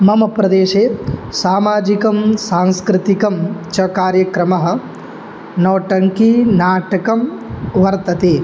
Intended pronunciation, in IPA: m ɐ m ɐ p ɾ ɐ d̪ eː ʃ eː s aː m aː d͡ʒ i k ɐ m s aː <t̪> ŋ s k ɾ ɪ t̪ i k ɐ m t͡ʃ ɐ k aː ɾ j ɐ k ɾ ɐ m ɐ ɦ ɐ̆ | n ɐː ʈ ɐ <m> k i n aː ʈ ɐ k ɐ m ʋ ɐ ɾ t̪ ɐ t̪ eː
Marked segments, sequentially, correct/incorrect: incorrect: none, incorrect: ŋ

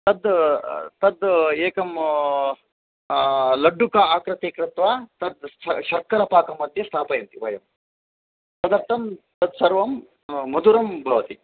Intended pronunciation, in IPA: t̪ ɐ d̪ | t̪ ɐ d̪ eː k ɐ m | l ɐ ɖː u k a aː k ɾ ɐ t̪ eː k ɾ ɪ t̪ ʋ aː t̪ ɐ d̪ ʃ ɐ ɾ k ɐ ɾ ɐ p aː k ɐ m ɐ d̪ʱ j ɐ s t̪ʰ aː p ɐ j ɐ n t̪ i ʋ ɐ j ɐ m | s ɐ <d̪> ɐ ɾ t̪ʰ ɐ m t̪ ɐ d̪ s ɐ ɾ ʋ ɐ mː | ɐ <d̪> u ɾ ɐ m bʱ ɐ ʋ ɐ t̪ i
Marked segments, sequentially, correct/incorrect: correct, correct

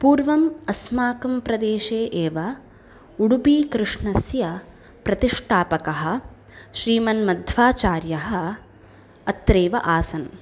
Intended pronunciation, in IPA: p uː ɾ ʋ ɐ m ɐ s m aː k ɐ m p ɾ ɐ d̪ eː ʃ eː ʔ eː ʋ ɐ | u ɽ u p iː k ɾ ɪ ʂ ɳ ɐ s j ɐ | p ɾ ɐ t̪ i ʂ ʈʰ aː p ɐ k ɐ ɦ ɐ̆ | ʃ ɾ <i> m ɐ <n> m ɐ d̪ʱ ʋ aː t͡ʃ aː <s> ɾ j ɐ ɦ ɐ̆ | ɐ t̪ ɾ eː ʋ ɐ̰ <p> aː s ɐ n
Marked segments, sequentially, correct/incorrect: incorrect: iː, correct, incorrect: none, incorrect: ʔ

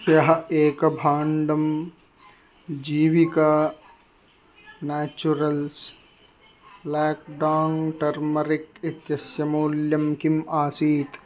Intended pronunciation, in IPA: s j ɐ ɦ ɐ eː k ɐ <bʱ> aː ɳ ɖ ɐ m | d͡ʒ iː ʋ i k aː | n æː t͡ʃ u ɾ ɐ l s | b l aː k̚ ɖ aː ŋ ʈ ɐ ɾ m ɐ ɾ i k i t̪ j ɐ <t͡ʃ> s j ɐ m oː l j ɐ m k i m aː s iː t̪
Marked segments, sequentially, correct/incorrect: correct, incorrect: none

